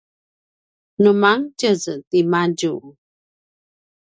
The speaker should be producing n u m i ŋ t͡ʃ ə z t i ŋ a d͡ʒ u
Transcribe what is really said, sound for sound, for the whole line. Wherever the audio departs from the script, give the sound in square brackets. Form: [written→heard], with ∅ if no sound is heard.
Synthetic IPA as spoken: n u m [i→a] ŋ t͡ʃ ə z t i [ŋ→m] a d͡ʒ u